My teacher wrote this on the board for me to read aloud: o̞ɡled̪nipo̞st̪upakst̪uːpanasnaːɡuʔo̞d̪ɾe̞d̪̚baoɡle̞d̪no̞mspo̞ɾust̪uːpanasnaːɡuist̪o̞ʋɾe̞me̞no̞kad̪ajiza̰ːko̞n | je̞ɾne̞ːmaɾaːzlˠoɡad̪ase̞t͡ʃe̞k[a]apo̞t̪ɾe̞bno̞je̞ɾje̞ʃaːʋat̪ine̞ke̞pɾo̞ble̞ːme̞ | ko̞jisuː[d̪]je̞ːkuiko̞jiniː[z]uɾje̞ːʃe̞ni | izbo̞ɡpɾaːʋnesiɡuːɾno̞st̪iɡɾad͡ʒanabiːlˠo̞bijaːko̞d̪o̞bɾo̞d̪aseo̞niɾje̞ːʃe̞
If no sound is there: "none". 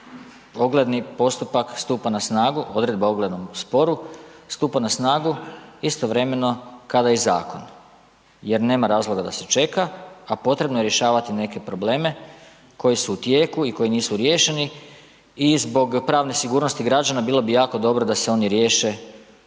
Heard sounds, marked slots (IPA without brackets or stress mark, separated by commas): a, t̪, s